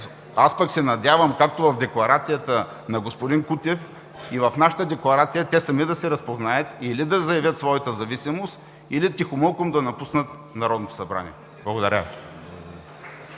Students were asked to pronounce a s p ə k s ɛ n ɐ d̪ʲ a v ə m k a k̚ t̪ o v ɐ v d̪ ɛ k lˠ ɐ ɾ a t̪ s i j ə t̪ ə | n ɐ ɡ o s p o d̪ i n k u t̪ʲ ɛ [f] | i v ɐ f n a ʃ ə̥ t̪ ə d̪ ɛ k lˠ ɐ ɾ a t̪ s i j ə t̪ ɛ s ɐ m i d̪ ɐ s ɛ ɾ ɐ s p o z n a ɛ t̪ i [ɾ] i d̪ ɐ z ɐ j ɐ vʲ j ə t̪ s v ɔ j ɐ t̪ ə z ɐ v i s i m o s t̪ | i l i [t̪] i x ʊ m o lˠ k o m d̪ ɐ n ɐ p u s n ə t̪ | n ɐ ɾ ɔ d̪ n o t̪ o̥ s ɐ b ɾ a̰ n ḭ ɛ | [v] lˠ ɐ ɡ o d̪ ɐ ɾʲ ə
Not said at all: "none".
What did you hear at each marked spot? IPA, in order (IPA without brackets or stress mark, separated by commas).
f, l, t̪, b